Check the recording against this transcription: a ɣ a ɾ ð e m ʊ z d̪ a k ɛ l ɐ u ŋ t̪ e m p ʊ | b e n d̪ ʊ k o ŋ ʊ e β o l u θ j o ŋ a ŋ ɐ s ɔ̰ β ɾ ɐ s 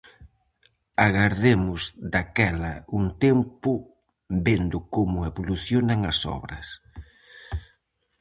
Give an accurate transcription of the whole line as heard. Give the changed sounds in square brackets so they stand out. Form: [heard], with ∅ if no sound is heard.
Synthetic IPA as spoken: a ɣ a ɾ ð e m ʊ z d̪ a k ɛ l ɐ u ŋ t̪ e m p ʊ | b e n d̪ ʊ k o [m] ʊ e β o l u θ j o [n] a ŋ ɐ s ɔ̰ β ɾ ɐ s